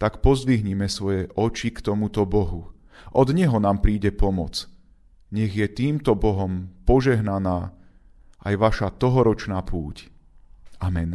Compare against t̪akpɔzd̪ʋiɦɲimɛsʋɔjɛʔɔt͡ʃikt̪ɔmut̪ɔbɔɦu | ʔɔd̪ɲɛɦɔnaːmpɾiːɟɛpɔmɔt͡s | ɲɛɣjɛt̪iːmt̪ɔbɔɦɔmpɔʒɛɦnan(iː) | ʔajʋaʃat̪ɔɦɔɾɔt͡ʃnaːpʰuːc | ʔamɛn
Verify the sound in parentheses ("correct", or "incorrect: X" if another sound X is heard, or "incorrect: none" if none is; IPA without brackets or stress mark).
incorrect: aː